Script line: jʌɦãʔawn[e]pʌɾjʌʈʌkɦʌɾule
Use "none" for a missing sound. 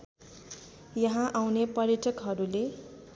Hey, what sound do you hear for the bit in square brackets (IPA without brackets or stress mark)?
e